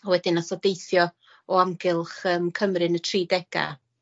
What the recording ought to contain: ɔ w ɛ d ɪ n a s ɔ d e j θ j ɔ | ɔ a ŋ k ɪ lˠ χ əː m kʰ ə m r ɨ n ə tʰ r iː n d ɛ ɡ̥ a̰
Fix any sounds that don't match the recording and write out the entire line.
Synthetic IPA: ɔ w ɛ d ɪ n a s ɔ d e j θ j ɔ | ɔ a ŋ ɡ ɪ lˠ χ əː m kʰ ə m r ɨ n ə tʰ r iː d ɛ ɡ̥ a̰